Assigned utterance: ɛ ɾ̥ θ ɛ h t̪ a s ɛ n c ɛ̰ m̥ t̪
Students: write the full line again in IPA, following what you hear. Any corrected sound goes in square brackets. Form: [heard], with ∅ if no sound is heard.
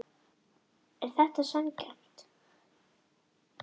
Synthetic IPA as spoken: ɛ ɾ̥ θ ɛ h t̪ a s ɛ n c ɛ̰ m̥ t̪